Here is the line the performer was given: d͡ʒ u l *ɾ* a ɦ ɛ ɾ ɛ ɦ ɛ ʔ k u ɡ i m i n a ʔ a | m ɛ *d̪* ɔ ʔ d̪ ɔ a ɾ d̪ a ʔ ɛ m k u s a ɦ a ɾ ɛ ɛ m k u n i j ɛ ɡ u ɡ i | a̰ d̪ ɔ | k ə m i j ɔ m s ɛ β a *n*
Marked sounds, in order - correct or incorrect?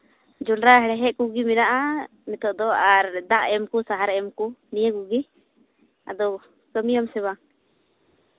correct, incorrect: t̪, incorrect: ŋ

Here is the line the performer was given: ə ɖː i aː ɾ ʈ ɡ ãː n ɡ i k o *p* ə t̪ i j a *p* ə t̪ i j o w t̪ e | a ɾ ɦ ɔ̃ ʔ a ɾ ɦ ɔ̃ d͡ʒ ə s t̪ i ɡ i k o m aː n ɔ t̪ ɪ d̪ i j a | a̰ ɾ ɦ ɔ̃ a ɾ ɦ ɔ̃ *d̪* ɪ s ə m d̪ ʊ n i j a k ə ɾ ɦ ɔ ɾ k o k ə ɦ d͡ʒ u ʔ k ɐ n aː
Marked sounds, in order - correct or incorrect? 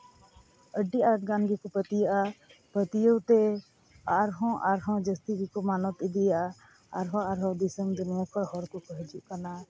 correct, correct, correct

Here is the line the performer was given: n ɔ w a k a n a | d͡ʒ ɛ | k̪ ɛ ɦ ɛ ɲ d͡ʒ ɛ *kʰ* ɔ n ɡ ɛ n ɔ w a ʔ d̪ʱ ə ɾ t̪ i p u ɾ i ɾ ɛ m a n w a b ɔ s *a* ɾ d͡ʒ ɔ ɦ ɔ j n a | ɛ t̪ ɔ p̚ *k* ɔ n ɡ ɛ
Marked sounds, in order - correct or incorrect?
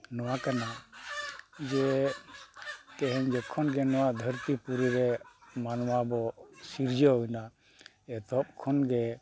correct, incorrect: i, incorrect: kʰ

